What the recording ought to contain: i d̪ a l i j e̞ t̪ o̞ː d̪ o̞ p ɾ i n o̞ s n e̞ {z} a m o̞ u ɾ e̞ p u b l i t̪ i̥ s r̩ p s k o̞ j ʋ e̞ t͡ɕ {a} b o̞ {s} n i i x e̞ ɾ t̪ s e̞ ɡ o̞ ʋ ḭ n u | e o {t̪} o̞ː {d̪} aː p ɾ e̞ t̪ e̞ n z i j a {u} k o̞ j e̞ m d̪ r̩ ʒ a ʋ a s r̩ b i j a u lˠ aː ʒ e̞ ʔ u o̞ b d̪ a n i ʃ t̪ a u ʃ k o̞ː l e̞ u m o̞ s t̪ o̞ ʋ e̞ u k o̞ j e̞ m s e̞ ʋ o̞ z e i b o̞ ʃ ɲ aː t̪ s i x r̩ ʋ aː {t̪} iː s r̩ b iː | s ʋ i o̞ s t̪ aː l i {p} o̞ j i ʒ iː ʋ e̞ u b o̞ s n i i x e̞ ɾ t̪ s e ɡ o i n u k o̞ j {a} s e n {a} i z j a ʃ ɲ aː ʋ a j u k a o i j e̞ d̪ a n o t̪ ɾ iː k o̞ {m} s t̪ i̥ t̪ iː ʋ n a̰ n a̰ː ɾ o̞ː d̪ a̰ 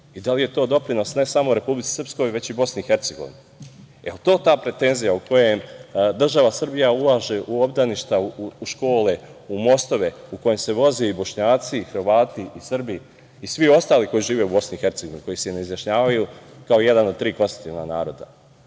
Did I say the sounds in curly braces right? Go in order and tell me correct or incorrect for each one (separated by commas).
incorrect, incorrect, correct, correct, incorrect, correct, correct, incorrect, incorrect, incorrect, incorrect